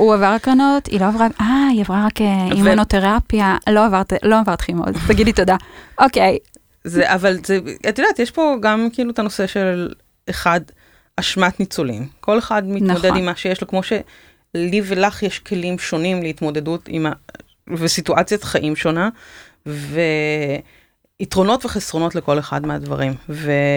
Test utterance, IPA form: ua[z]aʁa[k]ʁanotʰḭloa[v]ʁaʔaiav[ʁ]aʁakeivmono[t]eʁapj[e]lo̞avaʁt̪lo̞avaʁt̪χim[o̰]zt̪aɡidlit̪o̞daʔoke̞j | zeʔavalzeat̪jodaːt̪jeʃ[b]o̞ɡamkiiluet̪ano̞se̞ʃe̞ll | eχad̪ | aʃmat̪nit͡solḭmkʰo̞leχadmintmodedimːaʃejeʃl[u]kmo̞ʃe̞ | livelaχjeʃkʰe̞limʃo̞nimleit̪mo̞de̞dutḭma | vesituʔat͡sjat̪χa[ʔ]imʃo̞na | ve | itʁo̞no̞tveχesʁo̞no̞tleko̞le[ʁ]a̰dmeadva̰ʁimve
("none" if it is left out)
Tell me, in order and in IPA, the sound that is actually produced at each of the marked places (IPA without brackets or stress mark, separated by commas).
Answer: v, k, v, ʁ, t, a, o̰, p, o, ʔ, χ